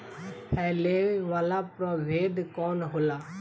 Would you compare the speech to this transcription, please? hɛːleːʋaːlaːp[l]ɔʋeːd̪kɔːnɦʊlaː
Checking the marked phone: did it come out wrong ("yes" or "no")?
yes